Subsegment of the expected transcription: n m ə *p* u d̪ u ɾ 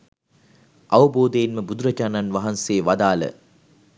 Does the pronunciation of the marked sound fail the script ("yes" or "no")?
yes